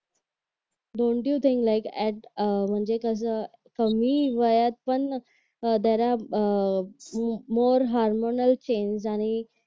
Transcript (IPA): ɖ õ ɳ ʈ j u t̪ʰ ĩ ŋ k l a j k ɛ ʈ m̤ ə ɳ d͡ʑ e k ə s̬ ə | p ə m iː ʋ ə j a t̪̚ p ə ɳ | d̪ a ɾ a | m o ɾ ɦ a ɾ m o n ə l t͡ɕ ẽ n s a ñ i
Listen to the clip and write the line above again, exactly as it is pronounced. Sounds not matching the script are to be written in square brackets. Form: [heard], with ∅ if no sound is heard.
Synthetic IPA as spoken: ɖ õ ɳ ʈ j u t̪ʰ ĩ ŋ k l a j k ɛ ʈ m̤ ə ɳ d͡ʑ e k ə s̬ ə | [k] ə m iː ʋ ə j a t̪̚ p ə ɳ | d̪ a ɾ a | m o ɾ ɦ a ɾ m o n ə l t͡ɕ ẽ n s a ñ i